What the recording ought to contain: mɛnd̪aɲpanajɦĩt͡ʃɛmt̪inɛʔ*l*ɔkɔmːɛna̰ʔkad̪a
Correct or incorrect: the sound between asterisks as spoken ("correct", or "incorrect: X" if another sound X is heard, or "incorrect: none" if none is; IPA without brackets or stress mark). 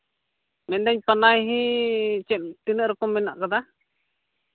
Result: incorrect: ɾ